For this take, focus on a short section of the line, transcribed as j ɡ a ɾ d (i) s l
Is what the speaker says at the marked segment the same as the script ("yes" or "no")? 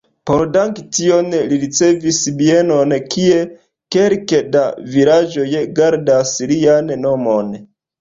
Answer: no